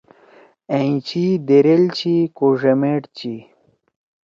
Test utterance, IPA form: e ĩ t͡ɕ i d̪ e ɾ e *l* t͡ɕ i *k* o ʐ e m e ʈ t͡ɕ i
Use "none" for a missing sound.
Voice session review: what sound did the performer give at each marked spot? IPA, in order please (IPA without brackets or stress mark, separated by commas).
l, k